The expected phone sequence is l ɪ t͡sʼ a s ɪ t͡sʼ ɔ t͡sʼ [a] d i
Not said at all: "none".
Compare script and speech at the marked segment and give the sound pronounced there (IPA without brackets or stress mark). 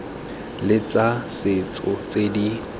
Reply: e